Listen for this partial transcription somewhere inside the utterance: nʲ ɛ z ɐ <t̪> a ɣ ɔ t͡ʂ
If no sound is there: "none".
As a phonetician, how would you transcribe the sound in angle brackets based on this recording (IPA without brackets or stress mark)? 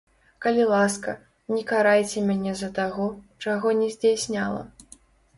t̪